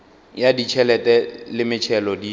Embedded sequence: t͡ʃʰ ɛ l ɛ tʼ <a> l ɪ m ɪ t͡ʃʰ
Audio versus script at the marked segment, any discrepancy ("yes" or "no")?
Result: yes